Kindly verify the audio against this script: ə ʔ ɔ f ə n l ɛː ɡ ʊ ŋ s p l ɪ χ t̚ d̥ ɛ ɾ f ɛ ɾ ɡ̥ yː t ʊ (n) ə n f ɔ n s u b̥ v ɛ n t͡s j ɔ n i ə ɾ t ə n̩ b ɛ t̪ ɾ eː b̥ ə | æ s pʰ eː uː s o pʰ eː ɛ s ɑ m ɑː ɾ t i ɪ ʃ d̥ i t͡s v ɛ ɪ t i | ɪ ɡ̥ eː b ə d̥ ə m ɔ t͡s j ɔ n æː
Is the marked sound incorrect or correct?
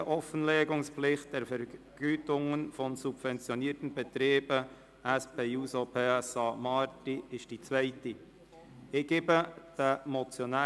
incorrect